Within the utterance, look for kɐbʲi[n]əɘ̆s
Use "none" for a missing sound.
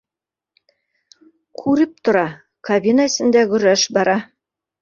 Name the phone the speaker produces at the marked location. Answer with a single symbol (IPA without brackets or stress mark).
n